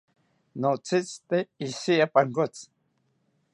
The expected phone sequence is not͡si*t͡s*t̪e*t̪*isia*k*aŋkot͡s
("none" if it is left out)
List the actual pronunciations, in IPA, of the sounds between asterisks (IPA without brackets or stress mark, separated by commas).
t͡s, none, p